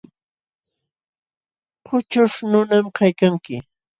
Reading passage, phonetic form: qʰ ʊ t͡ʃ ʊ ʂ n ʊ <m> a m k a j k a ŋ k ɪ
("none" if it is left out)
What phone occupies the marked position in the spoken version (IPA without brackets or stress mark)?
n